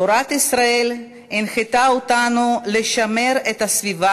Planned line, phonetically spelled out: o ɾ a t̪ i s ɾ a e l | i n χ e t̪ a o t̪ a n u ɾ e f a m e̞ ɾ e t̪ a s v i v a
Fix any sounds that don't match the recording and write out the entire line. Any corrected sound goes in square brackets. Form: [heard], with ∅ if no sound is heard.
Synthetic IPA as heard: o ɾ a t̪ i s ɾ a e l | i n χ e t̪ a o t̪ a n u [l] e [ʃ] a m e̞ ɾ e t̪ a s v i v a